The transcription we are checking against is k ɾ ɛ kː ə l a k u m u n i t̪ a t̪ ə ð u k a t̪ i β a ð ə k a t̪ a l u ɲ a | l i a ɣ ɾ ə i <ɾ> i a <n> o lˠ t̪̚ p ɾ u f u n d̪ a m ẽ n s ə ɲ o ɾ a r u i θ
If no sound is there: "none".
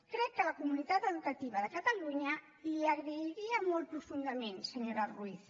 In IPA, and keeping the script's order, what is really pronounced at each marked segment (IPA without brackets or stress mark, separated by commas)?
ɾ, m